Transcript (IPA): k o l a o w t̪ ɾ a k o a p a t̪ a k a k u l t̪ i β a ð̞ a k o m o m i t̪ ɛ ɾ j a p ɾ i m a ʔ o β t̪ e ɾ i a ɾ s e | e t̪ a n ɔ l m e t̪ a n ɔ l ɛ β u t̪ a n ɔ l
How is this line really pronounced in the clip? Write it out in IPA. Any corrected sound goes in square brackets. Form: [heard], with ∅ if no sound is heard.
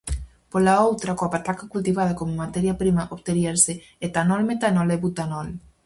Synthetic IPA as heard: [p] o l a o w t̪ ɾ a k o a p a t̪ a k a k u l t̪ i β a ð̞ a k o m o m [a] t̪ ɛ ɾ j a p ɾ i m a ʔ o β t̪ e ɾ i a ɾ s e | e t̪ a n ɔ l m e t̪ a n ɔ l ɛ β u t̪ a n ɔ l